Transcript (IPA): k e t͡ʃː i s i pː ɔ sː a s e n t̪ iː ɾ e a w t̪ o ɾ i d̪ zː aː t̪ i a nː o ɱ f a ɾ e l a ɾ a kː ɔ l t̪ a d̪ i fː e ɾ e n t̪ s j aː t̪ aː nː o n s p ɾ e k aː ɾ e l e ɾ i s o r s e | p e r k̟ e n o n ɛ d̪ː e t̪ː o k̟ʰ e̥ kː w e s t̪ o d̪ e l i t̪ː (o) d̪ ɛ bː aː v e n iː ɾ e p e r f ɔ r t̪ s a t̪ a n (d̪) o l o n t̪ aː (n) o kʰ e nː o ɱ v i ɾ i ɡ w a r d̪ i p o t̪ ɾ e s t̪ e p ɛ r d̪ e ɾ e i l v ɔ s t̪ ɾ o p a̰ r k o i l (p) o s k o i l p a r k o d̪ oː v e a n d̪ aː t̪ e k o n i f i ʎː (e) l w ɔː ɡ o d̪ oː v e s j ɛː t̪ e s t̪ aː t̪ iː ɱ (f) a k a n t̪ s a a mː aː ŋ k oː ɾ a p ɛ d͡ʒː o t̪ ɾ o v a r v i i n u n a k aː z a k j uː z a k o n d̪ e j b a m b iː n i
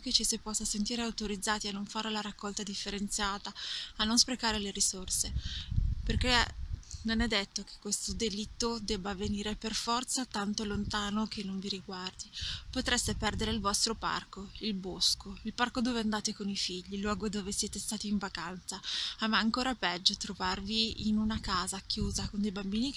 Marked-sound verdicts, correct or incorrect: correct, incorrect: t̪, correct, incorrect: b, incorrect: i, incorrect: v

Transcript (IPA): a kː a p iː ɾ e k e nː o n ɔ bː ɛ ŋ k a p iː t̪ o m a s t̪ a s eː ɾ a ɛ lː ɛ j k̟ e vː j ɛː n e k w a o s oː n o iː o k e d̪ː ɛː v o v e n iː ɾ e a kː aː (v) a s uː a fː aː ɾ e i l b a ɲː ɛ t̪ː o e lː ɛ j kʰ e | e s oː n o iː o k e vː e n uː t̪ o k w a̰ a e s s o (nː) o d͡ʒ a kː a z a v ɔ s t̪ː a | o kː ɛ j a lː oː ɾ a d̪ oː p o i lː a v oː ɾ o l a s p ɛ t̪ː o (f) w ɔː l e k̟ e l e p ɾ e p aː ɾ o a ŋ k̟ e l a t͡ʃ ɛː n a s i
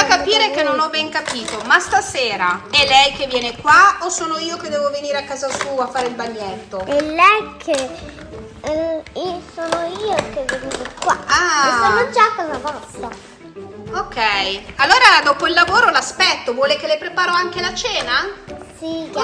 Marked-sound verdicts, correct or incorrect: incorrect: z, incorrect: n, incorrect: v

